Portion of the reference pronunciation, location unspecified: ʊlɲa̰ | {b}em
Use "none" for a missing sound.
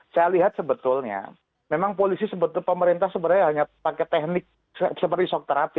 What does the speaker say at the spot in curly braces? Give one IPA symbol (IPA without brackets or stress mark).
m